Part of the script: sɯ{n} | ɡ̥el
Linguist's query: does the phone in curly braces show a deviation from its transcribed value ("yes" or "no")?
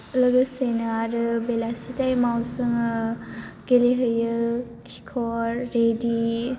yes